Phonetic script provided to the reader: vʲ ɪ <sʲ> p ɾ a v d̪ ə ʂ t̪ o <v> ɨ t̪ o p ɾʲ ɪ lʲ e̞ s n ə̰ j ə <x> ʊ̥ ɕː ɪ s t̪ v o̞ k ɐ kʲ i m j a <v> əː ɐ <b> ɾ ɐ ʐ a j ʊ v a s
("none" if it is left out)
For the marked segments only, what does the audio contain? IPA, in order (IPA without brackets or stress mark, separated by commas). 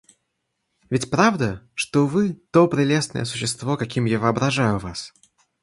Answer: tʲ, v, s, v, b